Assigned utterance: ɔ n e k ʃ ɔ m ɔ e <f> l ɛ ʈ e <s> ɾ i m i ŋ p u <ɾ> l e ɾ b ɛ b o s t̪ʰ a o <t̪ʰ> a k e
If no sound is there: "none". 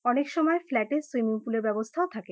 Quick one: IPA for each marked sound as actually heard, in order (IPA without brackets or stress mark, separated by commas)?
f, s, none, t̪ʰ